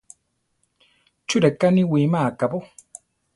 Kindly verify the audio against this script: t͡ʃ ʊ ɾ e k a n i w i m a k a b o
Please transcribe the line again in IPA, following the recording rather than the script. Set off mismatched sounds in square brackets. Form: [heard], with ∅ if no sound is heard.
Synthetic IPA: t͡ʃ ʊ ɾ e k a n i w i m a k a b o